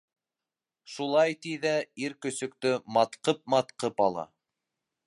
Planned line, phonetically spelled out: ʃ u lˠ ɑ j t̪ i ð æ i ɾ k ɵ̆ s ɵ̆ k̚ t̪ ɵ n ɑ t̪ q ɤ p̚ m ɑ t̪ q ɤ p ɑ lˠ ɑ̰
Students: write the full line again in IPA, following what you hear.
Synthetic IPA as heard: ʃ u lˠ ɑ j t̪ i ð æ i ɾ k ɵ̆ s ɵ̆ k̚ t̪ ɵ m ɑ t̪ q ɤ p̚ m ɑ t̪ q ɤ p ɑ lˠ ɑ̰

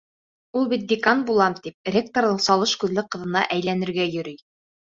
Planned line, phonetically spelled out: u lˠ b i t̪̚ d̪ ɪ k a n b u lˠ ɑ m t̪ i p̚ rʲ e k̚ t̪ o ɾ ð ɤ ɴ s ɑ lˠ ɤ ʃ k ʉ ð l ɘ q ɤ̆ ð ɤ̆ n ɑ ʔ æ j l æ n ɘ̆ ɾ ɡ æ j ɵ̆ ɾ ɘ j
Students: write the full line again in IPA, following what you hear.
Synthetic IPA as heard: u lˠ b i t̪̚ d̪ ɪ k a n b u lˠ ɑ m t̪ i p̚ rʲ e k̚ t̪ o ɾ ð ɤ ɴ s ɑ lˠ ɤ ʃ k ʉ ð l ɘ q ɤ̆ ð ɤ̆ n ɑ ʔ æ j l æ n ɘ̆ ɾ ɡ æ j ɵ̆ ɾ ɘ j

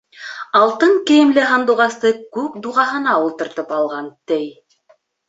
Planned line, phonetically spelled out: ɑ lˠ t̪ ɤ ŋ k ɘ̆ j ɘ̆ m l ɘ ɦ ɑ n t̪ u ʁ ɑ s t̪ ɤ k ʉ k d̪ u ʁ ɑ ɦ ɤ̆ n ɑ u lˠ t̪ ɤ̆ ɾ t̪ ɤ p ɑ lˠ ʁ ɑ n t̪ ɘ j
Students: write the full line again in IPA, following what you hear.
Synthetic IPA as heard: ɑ lˠ t̪ ɤ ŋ k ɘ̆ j ɘ̆ m l ɘ ɦ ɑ n d̪ u ʁ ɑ s t̪ ɤ k ʉ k d̪ u ʁ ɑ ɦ ɤ̆ n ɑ u lˠ t̪ ɤ̆ ɾ t̪ ɤ p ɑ lˠ ʁ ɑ n t̪ ɘ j

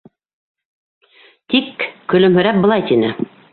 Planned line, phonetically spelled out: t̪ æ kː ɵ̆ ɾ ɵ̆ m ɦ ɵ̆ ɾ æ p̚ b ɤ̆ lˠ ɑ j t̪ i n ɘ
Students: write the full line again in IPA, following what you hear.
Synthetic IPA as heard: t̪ i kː ɵ̆ l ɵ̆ m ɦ ɵ̆ ɾ æ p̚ b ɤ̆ lˠ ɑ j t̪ i n ɘ

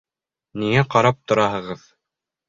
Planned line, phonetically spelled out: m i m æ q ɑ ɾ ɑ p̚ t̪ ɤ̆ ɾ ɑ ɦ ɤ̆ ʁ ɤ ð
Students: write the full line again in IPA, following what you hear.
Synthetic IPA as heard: n i ŋ æ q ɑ ɾ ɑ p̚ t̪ ŏ ɾ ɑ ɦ ɤ̆ ʁ ɤ ð

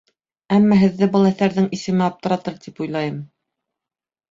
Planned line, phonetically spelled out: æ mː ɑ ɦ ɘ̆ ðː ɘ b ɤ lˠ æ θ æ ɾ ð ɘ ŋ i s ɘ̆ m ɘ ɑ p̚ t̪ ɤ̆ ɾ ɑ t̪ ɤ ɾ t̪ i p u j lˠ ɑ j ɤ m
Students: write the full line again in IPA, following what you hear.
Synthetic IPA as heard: æ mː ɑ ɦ ɘ̆ ðː ɘ b ɤ lˠ æ θ æ ɾ ð ɘ ŋ i s ɘ̆ m ɘ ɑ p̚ t̪ ɤ̆ ɾ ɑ t̪ ɤ ɾ t̪ i p u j lˠ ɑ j ɤ m

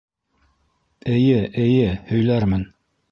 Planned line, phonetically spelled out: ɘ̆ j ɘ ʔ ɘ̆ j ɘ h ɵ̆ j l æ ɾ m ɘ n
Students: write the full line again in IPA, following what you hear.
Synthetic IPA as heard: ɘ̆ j ɘ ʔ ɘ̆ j ɘ h ɵ̆ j l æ ɾ m ɘ n

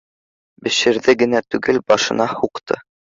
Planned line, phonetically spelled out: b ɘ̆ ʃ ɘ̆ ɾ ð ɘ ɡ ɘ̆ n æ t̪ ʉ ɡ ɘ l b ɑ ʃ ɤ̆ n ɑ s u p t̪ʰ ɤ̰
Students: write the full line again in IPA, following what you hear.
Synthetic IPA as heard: b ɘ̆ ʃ ɘ̆ ɾ ð ɘ ɡ ɘ̆ n æ t̪ ʉ ɡ ɘ l b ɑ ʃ ɤ̆ n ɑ h u q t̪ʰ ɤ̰

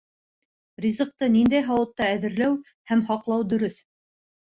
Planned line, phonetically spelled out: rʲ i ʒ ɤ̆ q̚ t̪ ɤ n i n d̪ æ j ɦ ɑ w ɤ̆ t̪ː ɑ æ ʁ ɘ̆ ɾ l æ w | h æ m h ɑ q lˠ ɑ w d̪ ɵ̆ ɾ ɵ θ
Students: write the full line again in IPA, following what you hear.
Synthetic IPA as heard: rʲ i z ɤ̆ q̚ t̪ ɤ n i n d̪ æ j ɦ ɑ w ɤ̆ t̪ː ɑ æ ð ɘ̆ ɾ l æ w | h æ m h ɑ q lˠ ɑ w d̪ ɵ̆ ɾ ɵ θ

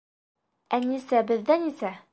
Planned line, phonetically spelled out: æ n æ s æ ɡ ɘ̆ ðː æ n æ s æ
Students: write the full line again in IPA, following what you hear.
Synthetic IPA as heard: æ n i s æ b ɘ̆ ðː æ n i s æ

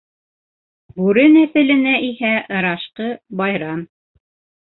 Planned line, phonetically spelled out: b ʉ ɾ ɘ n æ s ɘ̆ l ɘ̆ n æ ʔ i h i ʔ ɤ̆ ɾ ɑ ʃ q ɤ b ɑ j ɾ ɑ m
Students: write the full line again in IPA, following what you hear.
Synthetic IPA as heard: b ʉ ɾ ɘ n æ θ ɘ̆ l ɘ̆ n æ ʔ i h æ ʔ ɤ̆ ɾ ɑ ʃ q ɤ b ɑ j ɾ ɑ m

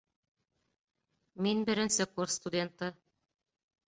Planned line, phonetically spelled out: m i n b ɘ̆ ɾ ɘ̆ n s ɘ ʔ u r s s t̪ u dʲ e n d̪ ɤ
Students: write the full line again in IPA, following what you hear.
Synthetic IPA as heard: m i n b ɘ̆ ɾ ɘ̆ n s ɘ k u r s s t̪ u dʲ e n t̪ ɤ

